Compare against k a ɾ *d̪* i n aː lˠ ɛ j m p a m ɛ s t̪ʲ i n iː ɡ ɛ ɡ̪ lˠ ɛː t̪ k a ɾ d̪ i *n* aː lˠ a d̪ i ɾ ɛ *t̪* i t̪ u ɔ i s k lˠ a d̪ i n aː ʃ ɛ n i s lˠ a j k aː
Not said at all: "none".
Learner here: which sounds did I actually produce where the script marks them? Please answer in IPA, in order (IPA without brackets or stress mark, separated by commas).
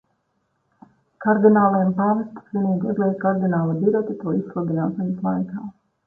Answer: d̪, n, t̪